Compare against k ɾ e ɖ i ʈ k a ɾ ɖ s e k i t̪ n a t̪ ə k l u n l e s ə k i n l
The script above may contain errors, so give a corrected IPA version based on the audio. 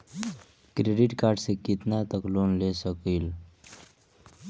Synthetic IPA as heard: k ɾ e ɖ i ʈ k a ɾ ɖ s e k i t̪ n a t̪ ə k l o n l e s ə k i l

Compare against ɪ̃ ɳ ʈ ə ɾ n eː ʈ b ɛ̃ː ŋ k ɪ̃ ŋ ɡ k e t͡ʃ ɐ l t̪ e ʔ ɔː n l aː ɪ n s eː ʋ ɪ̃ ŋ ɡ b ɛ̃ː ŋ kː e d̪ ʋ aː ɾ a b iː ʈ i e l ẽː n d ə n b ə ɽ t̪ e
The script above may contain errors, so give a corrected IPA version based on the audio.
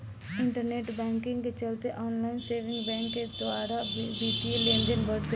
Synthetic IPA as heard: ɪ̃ ɳ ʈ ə ɾ n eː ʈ b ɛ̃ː ŋ k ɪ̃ ŋ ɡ k e t͡ʃ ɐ l t̪ e ʔ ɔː n l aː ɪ n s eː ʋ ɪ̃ ŋ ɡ b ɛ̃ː ŋ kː e d̪ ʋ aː ɾ a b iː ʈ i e l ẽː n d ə n b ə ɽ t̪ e

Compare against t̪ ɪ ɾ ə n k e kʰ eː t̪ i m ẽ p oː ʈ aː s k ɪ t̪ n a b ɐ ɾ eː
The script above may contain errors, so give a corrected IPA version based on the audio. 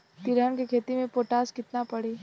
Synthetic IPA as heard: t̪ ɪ ɾ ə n k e kʰ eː t̪ i m ẽ p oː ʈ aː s k ɪ t̪ n a p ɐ ɽ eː

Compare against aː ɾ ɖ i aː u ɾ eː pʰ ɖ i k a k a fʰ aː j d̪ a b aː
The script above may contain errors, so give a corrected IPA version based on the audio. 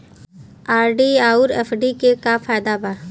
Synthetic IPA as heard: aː ɾ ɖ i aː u ɾ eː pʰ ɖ i k e k a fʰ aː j d̪ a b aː

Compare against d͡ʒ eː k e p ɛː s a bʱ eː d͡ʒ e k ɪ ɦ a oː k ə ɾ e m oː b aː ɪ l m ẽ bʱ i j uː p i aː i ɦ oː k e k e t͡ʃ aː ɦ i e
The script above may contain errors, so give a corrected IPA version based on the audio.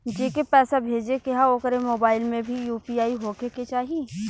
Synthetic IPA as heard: d͡ʒ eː k e p ɛː s a bʱ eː d͡ʒ e k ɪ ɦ a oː k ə ɾ e m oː b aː ɪ l m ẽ bʱ i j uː p i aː i ɦ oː k e k e t͡ʃ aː ɦ i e

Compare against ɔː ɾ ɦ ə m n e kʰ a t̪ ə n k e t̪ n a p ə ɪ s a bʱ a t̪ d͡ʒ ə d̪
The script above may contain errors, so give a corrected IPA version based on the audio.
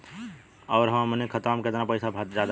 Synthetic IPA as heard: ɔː ɾ ɦ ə m n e kʰ ə t̪ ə m k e t̪ n a p ə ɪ s a bʱ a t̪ d͡ʒ a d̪

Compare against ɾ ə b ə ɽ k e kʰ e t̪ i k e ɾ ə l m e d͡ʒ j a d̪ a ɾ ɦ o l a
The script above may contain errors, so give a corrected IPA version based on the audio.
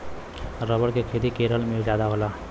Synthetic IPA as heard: ɾ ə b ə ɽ k e kʰ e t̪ i k e ɾ ə l m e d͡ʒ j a d̪ a ɦ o l a

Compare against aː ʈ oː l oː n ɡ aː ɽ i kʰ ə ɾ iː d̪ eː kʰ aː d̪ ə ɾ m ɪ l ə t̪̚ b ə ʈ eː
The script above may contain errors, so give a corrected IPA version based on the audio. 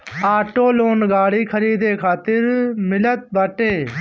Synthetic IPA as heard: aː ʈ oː l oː n ɡ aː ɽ iː kʰ ə ɾ iː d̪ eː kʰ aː t̪ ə ɾ m ɪ l ə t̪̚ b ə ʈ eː

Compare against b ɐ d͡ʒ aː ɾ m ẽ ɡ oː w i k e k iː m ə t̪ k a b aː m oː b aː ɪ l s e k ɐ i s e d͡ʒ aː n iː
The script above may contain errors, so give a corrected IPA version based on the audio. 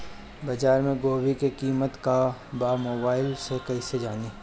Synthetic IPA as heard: b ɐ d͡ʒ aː ɾ m ẽ ɡ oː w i k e k iː m ə t̪ k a b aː m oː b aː ɪ l s e k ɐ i s e d͡ʒ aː n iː

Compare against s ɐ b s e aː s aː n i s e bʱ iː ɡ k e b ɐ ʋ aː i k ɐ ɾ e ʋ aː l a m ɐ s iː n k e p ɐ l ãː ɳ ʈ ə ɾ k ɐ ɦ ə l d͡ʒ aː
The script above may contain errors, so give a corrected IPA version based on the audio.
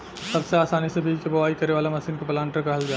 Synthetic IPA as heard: s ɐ b s e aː s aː n i s e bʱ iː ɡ k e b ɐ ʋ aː i k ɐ ɾ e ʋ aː l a m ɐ s iː n k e p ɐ l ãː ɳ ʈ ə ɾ k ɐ ɦ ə l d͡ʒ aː

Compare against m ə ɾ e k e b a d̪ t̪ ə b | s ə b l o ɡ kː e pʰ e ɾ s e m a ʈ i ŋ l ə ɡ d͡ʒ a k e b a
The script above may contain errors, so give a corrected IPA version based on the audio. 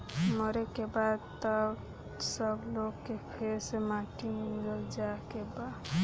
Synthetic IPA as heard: m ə ɾ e k e b a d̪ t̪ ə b | s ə b l o ɡ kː e pʰ e ɾ s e m a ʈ i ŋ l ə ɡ d͡ʒ a k e b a

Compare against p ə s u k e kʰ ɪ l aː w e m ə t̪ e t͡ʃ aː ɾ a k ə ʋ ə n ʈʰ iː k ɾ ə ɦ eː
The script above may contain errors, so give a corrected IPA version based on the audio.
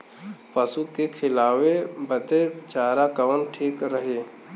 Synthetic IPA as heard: p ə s u k e kʰ ɪ l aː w e b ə t̪ e t͡ʃ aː ɾ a k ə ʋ ə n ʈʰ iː k ɾ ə ɦ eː

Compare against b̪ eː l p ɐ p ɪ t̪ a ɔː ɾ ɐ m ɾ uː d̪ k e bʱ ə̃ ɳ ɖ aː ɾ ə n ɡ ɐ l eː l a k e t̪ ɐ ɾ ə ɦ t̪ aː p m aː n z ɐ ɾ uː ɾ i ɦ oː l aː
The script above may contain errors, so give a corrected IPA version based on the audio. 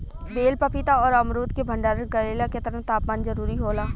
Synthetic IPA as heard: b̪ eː l p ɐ p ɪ t̪ a ɔː ɾ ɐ m ɾ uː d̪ k e bʱ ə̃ ɳ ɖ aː ɾ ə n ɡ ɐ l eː l a k e t̪ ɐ ɾ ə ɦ t̪ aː p m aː n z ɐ ɾ uː ɾ i ɦ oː l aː

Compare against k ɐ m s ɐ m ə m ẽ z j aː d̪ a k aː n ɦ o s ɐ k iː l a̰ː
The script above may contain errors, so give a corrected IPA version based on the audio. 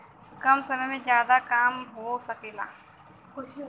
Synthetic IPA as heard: k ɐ m s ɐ m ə m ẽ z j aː d̪ a k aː m ɦ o s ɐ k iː l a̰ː

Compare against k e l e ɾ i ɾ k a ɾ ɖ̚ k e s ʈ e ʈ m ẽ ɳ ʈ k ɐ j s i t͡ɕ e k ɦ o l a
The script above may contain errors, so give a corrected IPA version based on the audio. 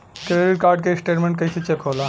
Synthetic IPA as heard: k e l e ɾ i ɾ k a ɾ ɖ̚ k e s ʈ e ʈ m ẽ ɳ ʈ k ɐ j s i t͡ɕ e k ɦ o l a

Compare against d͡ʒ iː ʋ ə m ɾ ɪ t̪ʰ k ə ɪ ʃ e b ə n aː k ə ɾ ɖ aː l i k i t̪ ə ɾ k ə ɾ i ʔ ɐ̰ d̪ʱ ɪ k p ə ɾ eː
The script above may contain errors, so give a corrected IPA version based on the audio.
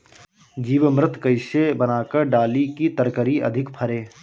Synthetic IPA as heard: d͡ʒ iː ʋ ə m ɾ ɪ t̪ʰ k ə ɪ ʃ e b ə n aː k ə ɾ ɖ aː l i k i t̪ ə ɾ k ə ɾ i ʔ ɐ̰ d̪ʱ ɪ k pʰ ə ɾ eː

